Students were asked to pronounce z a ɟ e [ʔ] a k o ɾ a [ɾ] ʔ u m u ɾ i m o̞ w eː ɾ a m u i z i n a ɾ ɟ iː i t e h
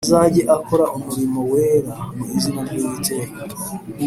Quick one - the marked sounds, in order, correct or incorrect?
correct, incorrect

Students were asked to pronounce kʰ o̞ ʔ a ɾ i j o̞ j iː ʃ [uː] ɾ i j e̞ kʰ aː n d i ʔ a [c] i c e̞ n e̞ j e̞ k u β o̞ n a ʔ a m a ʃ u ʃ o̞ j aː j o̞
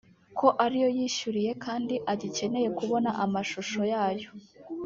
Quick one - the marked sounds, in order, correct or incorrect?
incorrect, incorrect

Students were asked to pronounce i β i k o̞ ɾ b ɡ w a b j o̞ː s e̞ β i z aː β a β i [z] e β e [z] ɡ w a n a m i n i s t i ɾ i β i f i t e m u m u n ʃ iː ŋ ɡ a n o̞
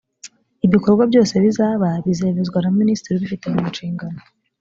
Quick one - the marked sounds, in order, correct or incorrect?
correct, correct

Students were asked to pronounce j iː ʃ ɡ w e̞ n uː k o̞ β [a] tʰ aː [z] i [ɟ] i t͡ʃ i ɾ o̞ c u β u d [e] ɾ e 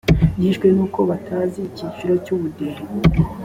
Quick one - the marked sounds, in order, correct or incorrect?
correct, correct, incorrect, correct

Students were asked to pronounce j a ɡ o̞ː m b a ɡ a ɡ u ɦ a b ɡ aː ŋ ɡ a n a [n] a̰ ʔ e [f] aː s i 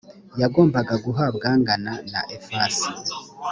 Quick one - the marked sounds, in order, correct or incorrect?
correct, correct

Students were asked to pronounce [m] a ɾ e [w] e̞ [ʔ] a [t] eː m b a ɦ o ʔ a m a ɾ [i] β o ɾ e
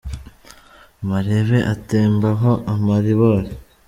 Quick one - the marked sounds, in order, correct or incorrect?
correct, incorrect, correct, correct, correct

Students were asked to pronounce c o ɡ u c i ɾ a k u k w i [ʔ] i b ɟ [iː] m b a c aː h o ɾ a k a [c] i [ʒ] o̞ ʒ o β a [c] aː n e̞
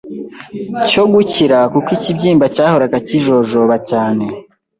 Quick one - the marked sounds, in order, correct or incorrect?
incorrect, correct, correct, correct, correct

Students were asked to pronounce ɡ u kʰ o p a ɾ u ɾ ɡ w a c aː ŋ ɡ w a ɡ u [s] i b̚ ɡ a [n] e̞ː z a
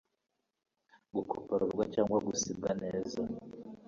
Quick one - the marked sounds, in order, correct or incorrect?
correct, correct

